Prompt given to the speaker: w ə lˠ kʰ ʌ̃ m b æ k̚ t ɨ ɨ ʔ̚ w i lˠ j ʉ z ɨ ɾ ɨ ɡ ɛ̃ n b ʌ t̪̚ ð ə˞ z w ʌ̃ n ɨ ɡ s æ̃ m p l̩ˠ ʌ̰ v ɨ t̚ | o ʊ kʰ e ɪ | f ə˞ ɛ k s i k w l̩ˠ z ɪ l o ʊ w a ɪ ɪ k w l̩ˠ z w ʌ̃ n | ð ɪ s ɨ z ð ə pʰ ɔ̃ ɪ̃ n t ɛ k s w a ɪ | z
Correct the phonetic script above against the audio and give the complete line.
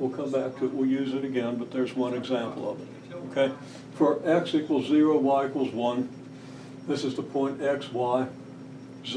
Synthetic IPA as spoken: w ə lˠ kʰ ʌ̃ m b æ k̚ tʰ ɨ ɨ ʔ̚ w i lˠ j ʉ z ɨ ɾ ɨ ɡ ɛ̃ n b ʌ t̪̚ ð ə˞ z w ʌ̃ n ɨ ɡ z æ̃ m p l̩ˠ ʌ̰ v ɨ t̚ | o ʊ kʰ e ɪ | f ə˞ ɛ k s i k w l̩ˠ z ɪ ɹ o ʊ w a ɪ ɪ k w l̩ˠ z w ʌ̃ n | ð ɪ s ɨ z ð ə pʰ ɔ̃ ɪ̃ n t ɛ k s w a ɪ | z